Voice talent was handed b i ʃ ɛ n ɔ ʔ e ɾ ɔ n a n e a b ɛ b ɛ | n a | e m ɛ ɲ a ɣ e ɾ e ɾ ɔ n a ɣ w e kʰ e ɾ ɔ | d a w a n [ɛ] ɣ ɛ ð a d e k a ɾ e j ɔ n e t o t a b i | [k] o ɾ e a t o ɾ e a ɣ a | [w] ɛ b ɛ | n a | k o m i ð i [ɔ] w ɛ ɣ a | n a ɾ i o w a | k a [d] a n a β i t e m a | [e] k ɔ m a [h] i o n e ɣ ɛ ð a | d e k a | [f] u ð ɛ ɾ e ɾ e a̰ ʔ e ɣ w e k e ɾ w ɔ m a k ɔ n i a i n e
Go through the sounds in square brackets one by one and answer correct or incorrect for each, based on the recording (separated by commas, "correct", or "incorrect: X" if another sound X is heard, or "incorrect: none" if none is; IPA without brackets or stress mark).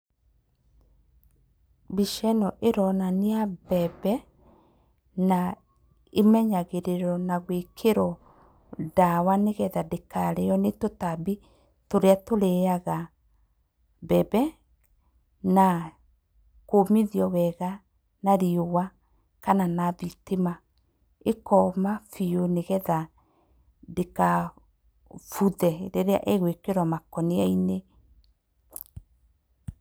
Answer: incorrect: e, incorrect: t, incorrect: b, correct, incorrect: n, correct, incorrect: f, correct